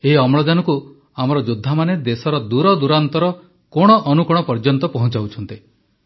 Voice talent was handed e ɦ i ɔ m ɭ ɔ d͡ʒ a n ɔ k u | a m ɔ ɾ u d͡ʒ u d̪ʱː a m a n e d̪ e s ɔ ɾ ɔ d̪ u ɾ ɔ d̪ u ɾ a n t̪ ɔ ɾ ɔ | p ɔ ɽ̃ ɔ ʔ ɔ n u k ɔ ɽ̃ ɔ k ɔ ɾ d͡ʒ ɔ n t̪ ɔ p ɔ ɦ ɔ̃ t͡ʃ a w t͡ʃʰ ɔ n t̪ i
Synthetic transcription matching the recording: e ɦ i ɔ m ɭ ɔ d͡ʒ a n ɔ k u | a m ɔ ɾ ɔ d͡ʒ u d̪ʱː a m a n e d̪ e s ɔ ɾ ɔ d̪ u ɾ ɔ d̪ u ɾ a n t̪ ɔ ɾ ɔ | k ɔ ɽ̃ ɔ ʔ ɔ n u k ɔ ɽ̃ ɔ p ɔ ɾ d͡ʒ ɔ n t̪ ɔ p ɔ ɦ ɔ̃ t͡ʃ a w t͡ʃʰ ɔ n t̪ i

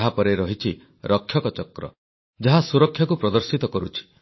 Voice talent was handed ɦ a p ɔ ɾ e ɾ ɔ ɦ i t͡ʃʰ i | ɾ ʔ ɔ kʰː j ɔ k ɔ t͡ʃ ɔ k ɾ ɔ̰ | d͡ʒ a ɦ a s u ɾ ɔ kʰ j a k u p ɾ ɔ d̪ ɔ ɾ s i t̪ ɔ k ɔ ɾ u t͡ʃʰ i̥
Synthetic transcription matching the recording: ɦ a p ɔ ɾ e ɾ ɔ ɦ i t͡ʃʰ i | ɾ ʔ ɔ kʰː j ɔ k ɔ t͡ʃ ɔ k ɾ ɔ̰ | d͡ʒ a ɦ a s u ɾ ɔ kʰ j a k u p ɾ ɔ d̪ ɔ ɾ s i t̪ ɔ k ɔ ɾ u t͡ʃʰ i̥

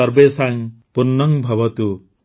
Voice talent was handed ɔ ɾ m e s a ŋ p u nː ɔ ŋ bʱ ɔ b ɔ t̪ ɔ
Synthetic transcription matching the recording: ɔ ɾ b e s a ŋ p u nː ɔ ŋ bʱ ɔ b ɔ t̪ u

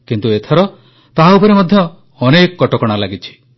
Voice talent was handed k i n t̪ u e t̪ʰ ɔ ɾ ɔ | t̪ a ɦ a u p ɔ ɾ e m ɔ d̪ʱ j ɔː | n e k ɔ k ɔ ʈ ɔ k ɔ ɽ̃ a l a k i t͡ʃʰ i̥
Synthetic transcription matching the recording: k i n t̪ u e t̪ʰ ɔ ɾ ɔ | t̪ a ɦ a u p ɔ ɾ e m ɔ d̪ʱ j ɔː | n e k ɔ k ɔ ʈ ɔ k ɔ ɽ̃ a l a ɡ i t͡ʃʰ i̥

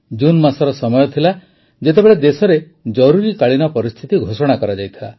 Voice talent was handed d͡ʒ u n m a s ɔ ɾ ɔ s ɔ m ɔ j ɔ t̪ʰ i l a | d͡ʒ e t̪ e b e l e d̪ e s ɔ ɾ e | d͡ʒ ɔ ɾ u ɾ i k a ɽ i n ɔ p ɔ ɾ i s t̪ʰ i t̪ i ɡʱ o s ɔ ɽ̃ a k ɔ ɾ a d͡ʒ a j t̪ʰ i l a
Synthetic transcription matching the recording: d͡ʒ u n m a s ɔ ɾ ɔ s ɔ m ɔ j ɔ t̪ʰ i l a | d͡ʒ e t̪ e b e ɭ e d̪ e s ɔ ɾ e | d͡ʒ ɔ ɾ u ɾ i k a ɭ i n ɔ p ɔ ɾ i s t̪ʰ i t̪ i ɡʱ o s ɔ ɽ̃ a k ɔ ɾ a d͡ʒ a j t̪ʰ i l a

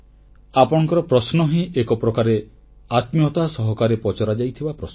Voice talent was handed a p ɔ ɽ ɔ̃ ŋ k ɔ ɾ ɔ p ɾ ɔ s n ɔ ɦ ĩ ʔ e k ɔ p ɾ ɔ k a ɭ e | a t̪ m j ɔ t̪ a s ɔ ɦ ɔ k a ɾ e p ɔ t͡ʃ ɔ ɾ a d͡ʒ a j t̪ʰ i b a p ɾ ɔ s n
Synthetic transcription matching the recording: a p ɔ ɽ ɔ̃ ŋ k ɔ ɾ ɔ p ɾ ɔ s n ɔ ɦ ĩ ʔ e k ɔ p ɾ ɔ k a ɾ e | a t̪ m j ɔ t̪ a s ɔ ɦ ɔ k a ɾ e p ɔ t͡ʃ ɔ ɾ a d͡ʒ a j t̪ʰ i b a p ɾ ɔ s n

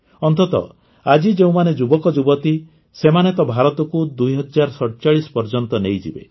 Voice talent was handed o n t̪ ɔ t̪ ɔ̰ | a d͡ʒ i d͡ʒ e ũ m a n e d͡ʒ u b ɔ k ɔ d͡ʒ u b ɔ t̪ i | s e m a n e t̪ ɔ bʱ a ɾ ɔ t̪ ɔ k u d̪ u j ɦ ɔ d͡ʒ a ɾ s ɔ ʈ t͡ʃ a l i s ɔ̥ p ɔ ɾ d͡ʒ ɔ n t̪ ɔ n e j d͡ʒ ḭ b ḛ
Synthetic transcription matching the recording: ɔ n t̪ ɔ t̪ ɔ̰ | a d͡ʒ i d͡ʒ e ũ m a n e d͡ʒ u b ɔ k ɔ d͡ʒ u b ɔ t̪ i | s e m a n e t̪ ɔ bʱ a ɾ ɔ t̪ ɔ k u d̪ u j ɦ ɔ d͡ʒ a ɾ s ɔ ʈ t͡ʃ a ɭ i s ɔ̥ p ɔ ɾ d͡ʒ ɔ n t̪ ɔ n e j d͡ʒ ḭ b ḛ

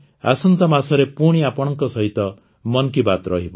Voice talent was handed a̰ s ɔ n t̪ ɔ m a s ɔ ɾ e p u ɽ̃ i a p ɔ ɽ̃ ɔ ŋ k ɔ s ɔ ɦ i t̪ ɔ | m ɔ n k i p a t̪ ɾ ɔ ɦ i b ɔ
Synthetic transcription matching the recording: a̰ s ɔ n t̪ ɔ m a s ɔ ɾ e p u ɽ̃ i a p ɔ ɽ̃ ɔ ŋ k ɔ s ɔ ɦ i t̪ ɔ | m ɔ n k i b a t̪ ɾ ɔ ɦ i b ɔ

